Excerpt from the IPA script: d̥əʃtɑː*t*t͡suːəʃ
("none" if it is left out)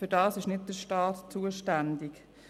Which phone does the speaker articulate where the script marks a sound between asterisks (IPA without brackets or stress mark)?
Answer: t